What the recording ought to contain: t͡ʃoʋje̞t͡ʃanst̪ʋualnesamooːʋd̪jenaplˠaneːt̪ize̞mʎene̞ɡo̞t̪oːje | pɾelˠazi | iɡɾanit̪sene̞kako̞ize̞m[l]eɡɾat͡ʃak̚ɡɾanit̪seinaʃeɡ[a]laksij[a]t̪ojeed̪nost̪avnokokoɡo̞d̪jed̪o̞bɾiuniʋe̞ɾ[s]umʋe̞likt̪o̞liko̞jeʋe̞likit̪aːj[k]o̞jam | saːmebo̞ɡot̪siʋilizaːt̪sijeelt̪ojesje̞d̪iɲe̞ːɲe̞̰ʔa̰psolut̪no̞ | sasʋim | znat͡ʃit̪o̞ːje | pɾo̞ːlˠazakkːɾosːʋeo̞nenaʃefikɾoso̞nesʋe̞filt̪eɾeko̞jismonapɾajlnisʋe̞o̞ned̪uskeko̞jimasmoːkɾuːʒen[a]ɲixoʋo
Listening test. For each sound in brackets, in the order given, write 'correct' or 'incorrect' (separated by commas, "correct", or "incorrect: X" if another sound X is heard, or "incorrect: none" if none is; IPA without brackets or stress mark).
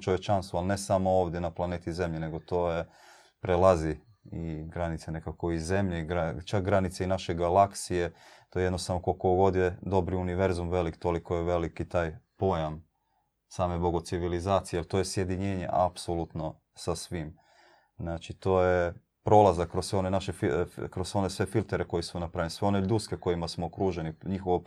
incorrect: ʎ, correct, incorrect: e, incorrect: z, incorrect: p, incorrect: i